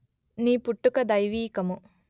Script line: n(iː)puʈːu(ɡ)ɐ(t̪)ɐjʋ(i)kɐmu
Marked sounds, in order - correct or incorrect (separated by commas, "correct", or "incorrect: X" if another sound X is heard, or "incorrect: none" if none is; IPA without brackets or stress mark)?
correct, incorrect: k, incorrect: d̪, incorrect: iː